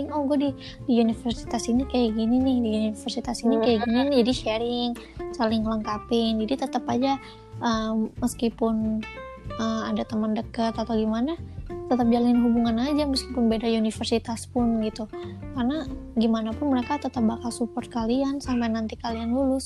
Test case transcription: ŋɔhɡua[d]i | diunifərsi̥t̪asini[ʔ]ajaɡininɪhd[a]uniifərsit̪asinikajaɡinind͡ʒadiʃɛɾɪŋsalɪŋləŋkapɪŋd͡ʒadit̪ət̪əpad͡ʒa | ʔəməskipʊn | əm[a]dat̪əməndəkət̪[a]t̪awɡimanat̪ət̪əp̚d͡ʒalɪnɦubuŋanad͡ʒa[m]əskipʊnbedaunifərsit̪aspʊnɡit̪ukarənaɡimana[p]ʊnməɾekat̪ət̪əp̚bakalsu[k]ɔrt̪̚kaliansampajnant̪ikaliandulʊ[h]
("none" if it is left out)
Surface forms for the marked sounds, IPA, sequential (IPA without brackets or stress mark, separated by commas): d, k, i, a, a, m, p, p, s